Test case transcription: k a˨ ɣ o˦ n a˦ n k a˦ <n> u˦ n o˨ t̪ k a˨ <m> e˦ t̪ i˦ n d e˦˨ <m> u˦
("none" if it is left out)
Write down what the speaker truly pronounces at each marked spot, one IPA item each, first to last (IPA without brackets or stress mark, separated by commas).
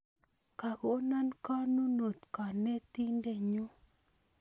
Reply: n, n, ɲ